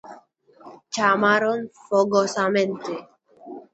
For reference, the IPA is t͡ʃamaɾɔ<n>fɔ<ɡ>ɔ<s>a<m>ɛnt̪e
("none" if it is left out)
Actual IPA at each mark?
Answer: n, ɡ, s, m

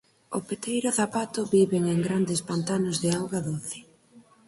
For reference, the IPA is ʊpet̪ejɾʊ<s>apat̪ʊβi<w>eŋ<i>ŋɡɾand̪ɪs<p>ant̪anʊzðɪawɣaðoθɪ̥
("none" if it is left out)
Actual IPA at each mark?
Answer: θ, β, e, p

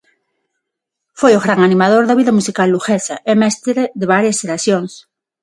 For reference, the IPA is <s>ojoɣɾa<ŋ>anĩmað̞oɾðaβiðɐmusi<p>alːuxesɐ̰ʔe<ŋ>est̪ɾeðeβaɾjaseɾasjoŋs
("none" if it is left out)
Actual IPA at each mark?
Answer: f, ŋ, k, m

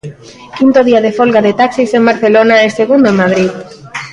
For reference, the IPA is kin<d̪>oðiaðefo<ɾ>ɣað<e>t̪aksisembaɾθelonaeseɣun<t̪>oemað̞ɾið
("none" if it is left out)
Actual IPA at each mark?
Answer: t̪, l, e, d̪

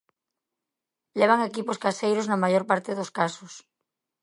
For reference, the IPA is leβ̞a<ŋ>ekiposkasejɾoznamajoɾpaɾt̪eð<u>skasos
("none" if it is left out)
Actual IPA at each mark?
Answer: ŋ, o

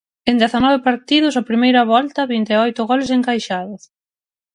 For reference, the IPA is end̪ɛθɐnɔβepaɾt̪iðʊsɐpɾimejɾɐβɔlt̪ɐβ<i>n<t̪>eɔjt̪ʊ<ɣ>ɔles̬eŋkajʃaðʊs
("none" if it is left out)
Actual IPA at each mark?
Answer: i, t̪, ɣ

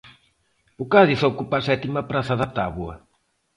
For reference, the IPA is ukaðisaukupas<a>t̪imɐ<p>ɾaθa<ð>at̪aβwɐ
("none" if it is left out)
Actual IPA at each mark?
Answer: ɛ, p, ð

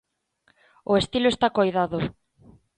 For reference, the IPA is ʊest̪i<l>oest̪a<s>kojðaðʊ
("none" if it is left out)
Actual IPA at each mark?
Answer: l, none

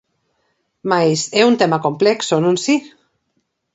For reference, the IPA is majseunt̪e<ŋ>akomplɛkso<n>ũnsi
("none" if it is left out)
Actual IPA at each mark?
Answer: m, n

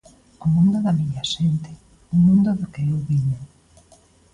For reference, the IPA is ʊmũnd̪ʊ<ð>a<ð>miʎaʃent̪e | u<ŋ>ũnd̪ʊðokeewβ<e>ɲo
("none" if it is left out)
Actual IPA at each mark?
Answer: ð, none, m, i

